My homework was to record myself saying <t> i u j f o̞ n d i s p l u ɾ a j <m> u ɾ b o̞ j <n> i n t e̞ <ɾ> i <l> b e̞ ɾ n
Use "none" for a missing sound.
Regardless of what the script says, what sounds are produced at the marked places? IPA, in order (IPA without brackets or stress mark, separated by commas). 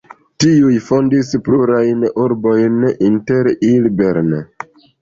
t, n, n, ɾ, l